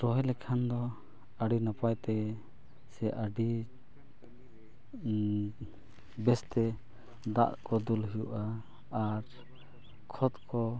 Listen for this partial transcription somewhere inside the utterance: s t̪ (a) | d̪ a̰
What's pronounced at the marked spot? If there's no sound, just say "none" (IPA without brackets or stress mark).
ɛ